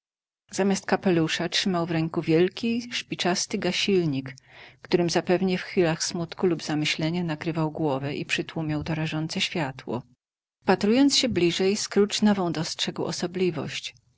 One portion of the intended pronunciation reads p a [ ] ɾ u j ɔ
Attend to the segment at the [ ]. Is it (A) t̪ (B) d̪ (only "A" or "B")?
A